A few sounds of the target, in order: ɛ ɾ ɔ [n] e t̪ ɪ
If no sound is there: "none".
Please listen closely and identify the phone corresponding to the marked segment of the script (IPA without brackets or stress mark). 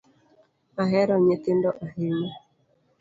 ɲ